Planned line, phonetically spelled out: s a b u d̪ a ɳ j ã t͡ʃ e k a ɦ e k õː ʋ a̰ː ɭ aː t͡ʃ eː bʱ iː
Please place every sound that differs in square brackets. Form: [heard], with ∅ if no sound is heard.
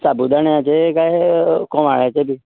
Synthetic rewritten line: s a b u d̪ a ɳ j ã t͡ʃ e k a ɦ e k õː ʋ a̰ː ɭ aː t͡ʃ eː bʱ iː